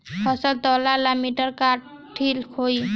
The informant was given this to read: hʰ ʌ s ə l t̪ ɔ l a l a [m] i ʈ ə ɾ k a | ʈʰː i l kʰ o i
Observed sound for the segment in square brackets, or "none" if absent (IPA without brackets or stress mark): m